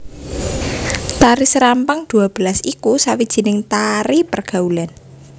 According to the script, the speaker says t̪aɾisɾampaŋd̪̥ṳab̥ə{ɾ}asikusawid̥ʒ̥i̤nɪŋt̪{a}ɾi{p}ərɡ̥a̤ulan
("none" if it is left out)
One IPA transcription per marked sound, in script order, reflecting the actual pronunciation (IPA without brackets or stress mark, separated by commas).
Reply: l, a, p